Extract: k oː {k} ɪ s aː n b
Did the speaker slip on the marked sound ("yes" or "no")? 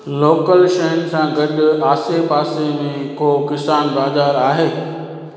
no